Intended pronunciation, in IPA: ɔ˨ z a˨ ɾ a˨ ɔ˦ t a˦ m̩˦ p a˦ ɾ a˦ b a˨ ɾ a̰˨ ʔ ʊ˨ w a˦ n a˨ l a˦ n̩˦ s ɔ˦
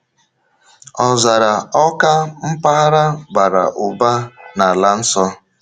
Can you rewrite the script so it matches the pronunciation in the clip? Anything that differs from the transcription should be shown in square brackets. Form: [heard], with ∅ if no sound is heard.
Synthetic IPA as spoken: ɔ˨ z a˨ ɾ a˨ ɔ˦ [k] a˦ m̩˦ p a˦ ɾ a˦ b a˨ ɾ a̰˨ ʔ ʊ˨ [b] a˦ n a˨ l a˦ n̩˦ s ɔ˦